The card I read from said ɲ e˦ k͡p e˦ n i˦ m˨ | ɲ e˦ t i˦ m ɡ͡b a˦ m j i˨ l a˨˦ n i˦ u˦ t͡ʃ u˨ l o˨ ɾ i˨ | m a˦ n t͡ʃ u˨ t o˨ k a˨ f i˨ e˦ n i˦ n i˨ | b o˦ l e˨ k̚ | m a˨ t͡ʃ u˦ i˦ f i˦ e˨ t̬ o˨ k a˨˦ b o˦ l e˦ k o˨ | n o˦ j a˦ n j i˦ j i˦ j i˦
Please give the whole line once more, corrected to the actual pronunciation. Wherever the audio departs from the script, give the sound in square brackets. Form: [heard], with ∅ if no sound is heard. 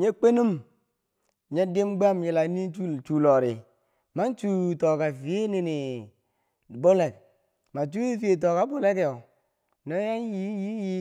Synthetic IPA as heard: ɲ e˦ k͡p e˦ n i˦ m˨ | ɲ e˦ [d] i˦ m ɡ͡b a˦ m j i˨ l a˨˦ n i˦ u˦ t͡ʃ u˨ l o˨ ɾ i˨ | m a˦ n t͡ʃ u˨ t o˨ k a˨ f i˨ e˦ n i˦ n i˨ | b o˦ l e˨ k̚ | m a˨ t͡ʃ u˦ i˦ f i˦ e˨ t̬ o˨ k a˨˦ b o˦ l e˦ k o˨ | n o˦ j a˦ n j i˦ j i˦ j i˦